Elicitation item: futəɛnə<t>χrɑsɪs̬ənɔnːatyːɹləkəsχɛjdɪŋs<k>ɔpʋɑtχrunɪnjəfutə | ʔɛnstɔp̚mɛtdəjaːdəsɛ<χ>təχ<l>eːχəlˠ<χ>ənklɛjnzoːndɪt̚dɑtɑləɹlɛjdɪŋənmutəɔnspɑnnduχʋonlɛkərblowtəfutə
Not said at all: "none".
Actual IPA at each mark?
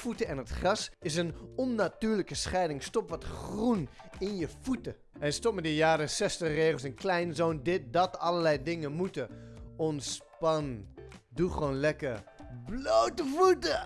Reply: t, t, s, r, s

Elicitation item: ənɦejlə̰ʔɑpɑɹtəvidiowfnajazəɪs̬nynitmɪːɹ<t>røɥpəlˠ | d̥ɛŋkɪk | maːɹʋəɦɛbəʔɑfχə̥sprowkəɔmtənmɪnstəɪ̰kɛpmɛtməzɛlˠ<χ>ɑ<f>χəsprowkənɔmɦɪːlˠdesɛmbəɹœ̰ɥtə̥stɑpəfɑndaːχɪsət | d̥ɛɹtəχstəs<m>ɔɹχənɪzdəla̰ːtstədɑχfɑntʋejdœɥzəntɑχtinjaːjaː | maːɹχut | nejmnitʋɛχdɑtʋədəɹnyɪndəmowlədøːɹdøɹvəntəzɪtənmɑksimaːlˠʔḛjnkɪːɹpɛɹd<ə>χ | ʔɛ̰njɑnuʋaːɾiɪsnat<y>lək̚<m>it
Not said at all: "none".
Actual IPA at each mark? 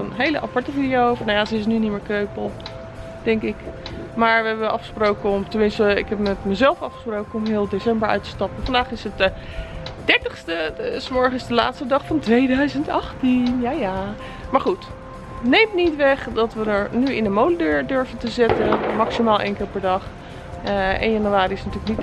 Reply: k, f, f, m, ɑ, yː, n

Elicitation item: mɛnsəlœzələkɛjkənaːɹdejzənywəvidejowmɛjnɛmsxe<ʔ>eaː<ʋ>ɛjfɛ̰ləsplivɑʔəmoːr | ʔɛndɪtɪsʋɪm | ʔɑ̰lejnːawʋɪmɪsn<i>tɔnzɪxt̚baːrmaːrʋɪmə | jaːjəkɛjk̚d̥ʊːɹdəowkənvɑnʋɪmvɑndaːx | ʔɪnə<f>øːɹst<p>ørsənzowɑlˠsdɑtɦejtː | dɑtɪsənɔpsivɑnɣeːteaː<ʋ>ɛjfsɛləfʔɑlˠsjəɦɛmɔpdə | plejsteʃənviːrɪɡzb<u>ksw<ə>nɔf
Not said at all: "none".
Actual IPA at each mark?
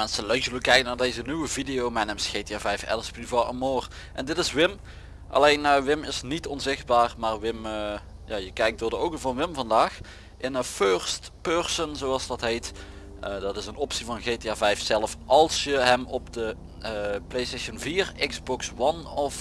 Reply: t, v, i, f, p, v, ɔ, ɑ

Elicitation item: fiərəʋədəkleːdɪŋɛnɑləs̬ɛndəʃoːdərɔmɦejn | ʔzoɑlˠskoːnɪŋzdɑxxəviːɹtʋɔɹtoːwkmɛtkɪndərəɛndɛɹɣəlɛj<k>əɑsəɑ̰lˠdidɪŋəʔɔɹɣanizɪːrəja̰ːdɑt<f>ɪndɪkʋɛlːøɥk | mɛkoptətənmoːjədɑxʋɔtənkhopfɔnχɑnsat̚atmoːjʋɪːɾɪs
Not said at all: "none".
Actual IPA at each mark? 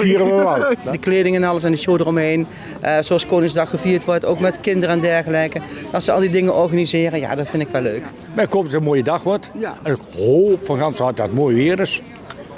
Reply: k, f

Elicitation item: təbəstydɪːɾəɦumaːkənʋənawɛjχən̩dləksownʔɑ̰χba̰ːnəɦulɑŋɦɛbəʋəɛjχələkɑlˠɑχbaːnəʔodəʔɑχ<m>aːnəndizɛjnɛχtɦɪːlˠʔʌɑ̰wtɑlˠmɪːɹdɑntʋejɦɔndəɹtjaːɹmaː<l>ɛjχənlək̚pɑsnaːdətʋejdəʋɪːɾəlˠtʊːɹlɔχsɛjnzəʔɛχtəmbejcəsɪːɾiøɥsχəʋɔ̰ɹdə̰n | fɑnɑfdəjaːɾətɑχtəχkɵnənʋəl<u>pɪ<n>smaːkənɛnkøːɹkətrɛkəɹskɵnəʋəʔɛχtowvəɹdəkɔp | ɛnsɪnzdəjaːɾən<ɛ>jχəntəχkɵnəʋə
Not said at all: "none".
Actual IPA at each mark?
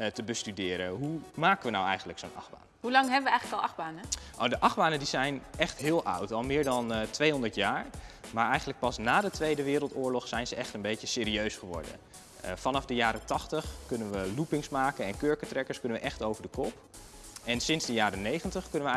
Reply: b, ɹ, u, ŋ, e

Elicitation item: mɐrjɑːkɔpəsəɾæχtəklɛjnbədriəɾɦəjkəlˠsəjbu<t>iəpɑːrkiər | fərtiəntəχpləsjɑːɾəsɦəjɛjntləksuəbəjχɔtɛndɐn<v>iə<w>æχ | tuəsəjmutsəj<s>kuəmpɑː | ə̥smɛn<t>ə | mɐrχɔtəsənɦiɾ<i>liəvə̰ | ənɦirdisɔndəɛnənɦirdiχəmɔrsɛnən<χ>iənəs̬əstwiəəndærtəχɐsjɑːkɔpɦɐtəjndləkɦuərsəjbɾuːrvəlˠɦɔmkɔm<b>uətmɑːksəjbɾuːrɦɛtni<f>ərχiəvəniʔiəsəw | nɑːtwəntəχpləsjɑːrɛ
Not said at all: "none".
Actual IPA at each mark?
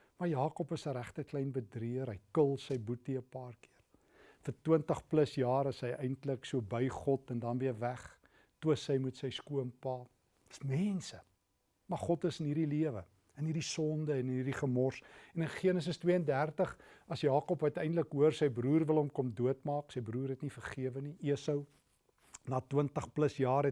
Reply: t, v, v, s, s, i, χ, d, f

